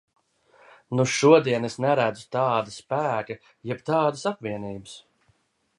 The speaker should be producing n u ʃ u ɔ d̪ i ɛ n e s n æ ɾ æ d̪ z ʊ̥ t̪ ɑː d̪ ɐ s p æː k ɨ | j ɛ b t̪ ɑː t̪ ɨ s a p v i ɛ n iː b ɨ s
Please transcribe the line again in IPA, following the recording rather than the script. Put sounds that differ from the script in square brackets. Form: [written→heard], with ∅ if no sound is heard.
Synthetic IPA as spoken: n u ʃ u ɔ d̪ i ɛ n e s n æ ɾ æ d̪ z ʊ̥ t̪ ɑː d̪ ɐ s p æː k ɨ | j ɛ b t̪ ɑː [t̪→d̪] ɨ s a p v i ɛ n iː b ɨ s